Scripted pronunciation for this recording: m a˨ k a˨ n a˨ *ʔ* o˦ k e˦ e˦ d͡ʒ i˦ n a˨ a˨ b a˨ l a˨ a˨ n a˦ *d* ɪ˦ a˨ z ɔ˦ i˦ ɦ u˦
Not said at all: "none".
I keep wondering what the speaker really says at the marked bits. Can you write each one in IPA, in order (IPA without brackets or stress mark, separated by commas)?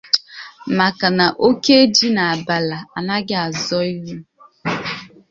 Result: ʔ, ɡ